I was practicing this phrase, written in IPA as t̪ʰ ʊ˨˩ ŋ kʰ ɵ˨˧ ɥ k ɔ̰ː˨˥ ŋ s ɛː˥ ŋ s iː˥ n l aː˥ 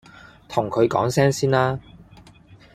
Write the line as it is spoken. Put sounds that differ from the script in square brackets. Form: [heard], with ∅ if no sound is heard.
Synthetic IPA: t̪ʰ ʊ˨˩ ŋ kʰ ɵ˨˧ ɥ k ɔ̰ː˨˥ ŋ s ɛː˥ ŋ s iː˥ n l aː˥